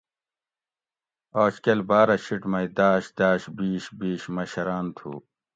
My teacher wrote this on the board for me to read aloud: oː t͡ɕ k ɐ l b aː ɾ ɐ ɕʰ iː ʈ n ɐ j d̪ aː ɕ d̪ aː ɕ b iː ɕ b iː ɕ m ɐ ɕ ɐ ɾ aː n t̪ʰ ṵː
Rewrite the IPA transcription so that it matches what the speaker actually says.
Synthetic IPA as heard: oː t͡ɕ k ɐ l b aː ɾ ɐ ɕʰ i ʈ m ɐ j d̪ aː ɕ d̪ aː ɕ b iː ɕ b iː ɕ m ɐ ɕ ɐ ɾ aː n t̪ʰ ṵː